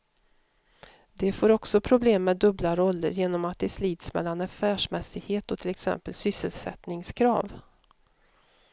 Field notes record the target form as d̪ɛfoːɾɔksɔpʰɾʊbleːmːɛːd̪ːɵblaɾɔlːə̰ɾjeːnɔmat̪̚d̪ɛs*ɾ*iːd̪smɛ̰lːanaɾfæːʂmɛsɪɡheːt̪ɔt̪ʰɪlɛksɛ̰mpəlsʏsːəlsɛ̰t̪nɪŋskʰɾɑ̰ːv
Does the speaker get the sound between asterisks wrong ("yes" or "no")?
yes